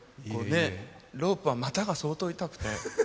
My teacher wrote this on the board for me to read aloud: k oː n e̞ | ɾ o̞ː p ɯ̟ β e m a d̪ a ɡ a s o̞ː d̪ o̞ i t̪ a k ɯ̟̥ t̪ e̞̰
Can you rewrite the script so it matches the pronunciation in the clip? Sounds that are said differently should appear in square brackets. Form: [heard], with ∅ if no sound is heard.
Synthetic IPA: k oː n e̞ | ɾ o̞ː p ɯ̟ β [a] m a [t̪] a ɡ a s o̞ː [t̪] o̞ i t̪ a k ɯ̟̥ t̪ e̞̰